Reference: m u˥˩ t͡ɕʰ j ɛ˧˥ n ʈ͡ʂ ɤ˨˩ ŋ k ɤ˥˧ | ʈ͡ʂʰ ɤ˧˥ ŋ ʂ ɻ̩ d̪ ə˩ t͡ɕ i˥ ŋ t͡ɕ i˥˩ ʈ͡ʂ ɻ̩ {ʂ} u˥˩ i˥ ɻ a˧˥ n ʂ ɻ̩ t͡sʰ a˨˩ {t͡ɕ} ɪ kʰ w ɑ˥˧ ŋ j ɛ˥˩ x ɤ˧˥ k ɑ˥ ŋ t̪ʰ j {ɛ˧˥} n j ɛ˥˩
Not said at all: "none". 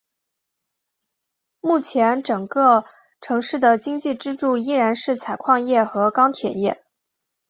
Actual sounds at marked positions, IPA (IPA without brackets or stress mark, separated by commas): ʈ͡ʂ, none, ɛ˨˩